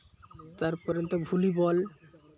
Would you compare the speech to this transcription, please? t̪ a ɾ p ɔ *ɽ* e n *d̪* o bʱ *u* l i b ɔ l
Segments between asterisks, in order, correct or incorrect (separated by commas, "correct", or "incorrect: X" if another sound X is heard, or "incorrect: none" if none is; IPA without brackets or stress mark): incorrect: ɾ, incorrect: t̪, correct